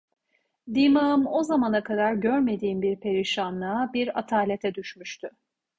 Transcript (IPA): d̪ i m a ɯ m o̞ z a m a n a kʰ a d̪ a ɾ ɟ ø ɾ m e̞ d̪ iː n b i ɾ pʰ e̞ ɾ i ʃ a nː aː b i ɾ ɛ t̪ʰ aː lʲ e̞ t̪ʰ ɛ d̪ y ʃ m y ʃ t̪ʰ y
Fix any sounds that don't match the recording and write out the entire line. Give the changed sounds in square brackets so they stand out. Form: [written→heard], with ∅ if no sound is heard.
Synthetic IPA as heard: d̪ i m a ɯ m o̞ z a m a n a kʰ a d̪ a ɾ ɟ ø ɾ m e̞ d̪ iː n b i ɾ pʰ e̞ ɾ i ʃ a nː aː b i ɾ [ɛ→a] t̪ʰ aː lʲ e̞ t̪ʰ ɛ d̪ y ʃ m y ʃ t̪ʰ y

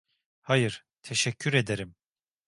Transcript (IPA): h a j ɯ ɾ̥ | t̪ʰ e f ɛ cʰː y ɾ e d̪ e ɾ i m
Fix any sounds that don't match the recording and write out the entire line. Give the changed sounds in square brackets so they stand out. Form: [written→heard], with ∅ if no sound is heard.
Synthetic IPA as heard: h a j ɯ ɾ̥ | t̪ʰ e [f→ʃ] ɛ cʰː y ɾ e d̪ e ɾ i m

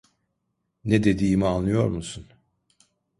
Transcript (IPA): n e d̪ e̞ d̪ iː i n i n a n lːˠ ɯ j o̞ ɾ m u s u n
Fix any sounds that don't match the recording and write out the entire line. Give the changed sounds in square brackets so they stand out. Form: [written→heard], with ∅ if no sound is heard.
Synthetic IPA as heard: n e d̪ e̞ d̪ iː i [n→m] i [n→∅] a n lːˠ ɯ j o̞ ɾ m u s u n

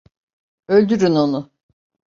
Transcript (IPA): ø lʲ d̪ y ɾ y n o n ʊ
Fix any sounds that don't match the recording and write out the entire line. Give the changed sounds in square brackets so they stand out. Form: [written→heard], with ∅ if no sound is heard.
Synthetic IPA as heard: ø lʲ d̪ y ɾ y n o n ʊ

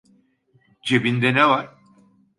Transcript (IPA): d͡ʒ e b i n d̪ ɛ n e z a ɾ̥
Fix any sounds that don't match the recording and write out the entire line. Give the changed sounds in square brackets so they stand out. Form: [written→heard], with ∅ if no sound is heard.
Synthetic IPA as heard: d͡ʒ e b i n d̪ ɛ n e [z→v] a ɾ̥

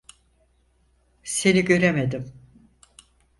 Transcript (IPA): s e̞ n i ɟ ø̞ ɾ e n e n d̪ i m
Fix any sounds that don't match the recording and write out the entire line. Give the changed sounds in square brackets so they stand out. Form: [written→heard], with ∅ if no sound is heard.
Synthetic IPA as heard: s e̞ n i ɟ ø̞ ɾ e [n→m] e [n→∅] d̪ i m

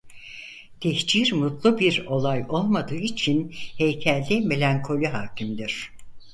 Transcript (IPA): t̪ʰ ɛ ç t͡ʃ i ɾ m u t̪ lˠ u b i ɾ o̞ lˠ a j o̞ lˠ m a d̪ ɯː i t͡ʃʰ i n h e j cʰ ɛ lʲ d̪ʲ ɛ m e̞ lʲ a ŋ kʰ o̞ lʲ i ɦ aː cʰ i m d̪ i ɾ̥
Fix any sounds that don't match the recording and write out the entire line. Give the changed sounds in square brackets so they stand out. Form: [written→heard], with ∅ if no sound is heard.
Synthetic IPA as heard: t̪ʰ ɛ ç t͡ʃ i ɾ m u t̪ lˠ u b i ɾ o̞ lˠ a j o̞ lˠ m a d̪ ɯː i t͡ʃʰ i n h e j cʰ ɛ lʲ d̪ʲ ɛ m e̞ lʲ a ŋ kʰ o̞ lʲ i ɦ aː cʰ i m d̪ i ɾ̥

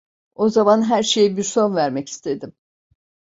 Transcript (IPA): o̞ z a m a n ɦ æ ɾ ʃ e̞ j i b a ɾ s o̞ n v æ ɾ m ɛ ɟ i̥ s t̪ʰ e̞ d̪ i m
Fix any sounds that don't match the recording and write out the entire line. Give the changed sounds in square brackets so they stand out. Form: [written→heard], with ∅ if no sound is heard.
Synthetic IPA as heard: o̞ z a m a n ɦ æ ɾ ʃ e̞ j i b [a→i] ɾ s o̞ n v æ ɾ m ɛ [ɟ→c] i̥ s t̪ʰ e̞ d̪ i m

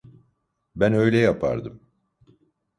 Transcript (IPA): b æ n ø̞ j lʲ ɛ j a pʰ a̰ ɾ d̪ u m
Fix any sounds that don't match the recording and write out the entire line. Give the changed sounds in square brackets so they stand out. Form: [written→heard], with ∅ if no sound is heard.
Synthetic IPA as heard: b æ n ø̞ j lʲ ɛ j a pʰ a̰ ɾ d̪ [u→ɯ] m

